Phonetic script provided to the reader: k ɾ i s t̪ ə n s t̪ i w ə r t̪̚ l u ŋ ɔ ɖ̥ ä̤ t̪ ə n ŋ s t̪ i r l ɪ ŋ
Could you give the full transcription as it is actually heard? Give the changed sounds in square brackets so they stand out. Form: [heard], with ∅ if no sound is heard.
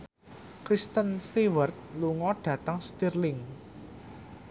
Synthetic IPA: k ɾ i s t̪ ə n s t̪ i w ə r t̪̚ l u ŋ ɔ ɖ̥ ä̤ t̪ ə [∅] ŋ s t̪ i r l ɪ ŋ

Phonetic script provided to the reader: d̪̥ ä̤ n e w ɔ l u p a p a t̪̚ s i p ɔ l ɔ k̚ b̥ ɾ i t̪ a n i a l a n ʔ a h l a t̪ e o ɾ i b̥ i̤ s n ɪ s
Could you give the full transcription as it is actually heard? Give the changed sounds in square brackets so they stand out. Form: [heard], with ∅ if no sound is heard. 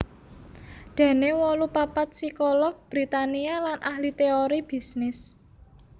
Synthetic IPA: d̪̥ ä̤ n e w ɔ l u p a p a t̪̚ s i [k] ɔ l ɔ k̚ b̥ ɾ i t̪ a n i a l a n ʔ a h l [i] t̪ e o ɾ i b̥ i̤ s n ɪ s

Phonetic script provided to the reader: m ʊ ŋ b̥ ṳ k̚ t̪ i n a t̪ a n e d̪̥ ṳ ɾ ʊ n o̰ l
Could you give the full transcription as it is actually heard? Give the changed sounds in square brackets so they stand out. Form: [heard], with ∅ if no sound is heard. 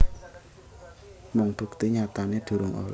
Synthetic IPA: m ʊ ŋ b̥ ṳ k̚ t̪ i [ɲ] a t̪ a n e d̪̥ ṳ ɾ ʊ [ŋ] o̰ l

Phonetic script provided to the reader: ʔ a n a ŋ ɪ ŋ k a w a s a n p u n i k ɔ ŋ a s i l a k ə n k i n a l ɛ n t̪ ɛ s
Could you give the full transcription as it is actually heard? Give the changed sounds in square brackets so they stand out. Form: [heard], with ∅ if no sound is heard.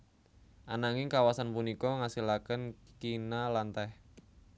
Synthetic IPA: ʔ a n a ŋ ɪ ŋ k a w a s a n p u n i k ɔ ŋ a s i l a k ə n k i n a l [a] n t̪ ɛ [h]

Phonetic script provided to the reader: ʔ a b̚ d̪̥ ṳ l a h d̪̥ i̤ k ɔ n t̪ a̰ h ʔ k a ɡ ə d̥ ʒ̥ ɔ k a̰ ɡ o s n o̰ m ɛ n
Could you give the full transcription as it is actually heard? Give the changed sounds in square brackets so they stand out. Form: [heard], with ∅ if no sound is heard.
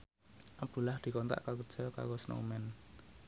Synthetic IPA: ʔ a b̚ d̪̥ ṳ l a h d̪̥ i̤ k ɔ n t̪ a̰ [∅] ʔ k a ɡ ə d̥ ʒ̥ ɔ k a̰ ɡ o s n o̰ m ɛ n

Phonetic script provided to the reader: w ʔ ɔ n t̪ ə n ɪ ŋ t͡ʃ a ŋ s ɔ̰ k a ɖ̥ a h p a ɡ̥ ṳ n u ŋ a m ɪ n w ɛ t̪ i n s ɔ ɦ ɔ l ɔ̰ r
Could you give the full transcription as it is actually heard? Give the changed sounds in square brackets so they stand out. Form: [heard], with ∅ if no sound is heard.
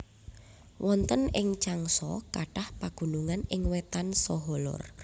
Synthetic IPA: w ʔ ɔ n t̪ ə n ɪ ŋ t͡ʃ a ŋ s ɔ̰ k a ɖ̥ a h p a ɡ̥ ṳ n u ŋ a [n] ɪ [ŋ] w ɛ t̪ [a] n s ɔ ɦ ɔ l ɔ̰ r

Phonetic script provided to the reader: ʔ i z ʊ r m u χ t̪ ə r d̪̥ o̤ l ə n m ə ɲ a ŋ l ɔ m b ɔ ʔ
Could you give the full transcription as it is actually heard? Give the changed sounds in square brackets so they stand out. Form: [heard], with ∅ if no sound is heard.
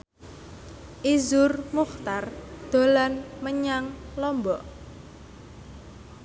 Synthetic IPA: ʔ i z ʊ r m u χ t̪ [a] r d̪̥ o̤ l [a] n m ə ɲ a ŋ l ɔ m b ɔ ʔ

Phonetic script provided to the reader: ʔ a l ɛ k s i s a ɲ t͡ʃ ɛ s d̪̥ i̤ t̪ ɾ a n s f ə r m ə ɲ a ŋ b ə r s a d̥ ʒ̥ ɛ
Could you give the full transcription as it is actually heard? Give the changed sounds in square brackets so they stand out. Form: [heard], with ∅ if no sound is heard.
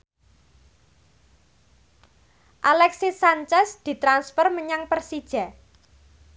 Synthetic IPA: ʔ a l ɛ k s i s a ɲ t͡ʃ ɛ s d̪̥ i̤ t̪ ɾ a n s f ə r m ə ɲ a ŋ [p] ə r s [i] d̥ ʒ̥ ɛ

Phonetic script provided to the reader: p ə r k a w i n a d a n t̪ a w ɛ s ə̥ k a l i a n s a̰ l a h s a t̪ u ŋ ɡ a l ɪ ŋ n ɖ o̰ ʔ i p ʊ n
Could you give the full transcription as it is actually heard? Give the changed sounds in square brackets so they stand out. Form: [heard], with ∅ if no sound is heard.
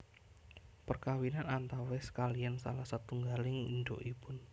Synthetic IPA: p ə r k a w i n a [n] a n t̪ a w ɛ s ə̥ k a l i a n s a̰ l a h s a t̪ u ŋ ɡ a l ɪ ŋ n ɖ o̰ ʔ i p ʊ n

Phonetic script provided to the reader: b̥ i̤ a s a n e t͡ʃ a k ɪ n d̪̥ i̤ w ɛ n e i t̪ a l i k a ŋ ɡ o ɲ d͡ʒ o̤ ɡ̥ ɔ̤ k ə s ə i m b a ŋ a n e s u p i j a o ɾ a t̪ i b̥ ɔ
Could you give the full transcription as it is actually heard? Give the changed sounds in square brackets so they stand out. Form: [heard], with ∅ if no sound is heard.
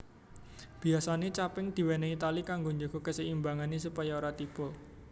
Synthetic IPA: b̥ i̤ a s a n e t͡ʃ a [p] ɪ [ŋ] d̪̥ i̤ w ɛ n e i t̪ a l i k a ŋ ɡ o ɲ d͡ʒ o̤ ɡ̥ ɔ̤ k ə s ə i m b a ŋ a n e s u p [a] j a o ɾ a t̪ i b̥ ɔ

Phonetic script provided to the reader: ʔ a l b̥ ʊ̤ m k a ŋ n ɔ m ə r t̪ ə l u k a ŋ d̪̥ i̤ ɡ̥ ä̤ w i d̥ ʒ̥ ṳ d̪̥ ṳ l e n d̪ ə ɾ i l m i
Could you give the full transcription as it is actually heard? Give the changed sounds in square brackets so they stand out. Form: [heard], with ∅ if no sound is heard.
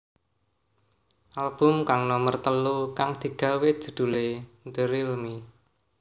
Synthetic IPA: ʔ a l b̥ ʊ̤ m k a ŋ n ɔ m ə r t̪ ə l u k a ŋ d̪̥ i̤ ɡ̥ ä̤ w [e] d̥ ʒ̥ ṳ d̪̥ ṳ l e n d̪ ə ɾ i l m i

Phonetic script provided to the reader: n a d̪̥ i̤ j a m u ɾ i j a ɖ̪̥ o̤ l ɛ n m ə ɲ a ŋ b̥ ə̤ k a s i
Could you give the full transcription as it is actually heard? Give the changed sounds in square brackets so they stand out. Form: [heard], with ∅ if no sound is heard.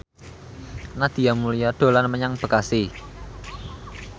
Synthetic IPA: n a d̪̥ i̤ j a m u [l] i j a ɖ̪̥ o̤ l [a] n m ə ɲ a ŋ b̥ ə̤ k a s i

